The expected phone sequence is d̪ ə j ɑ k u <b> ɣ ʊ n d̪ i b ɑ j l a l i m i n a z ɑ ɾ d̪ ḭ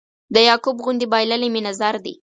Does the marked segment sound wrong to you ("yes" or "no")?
no